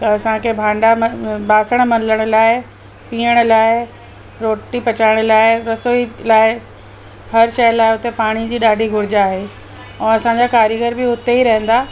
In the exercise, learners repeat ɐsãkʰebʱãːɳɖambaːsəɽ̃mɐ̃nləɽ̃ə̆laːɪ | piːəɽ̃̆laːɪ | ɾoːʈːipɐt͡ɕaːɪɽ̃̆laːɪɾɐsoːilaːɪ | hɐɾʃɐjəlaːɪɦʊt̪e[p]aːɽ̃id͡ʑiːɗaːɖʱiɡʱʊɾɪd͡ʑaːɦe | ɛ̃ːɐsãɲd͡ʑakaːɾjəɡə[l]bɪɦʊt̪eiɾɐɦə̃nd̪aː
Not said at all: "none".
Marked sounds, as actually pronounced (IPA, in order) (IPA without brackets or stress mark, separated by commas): p, ɾ